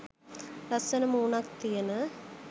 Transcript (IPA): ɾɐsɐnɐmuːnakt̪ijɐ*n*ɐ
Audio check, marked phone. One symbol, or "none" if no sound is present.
n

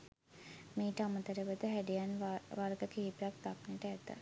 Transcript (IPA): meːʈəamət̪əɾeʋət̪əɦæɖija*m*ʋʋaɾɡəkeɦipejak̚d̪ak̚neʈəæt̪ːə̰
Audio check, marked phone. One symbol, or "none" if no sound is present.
n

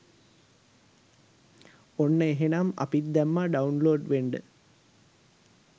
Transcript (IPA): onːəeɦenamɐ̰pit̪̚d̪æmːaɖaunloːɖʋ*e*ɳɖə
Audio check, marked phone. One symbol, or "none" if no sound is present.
e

